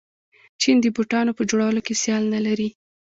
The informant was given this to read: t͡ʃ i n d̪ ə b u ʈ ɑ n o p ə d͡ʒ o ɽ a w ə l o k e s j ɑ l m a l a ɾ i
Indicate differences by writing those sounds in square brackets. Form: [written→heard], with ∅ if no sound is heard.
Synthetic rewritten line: t͡ʃ i n d̪ ə b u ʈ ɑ n o p ə d͡ʒ o ɽ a w ə l o k e s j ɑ l [m→n] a l a ɾ i